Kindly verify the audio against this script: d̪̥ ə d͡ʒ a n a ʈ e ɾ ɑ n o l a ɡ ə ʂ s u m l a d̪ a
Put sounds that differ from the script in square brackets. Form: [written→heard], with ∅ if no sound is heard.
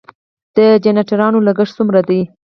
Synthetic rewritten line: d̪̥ ə d͡ʒ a n a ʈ [e→a] ɾ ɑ n o l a ɡ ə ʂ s u m [l→ɾ] a d̪ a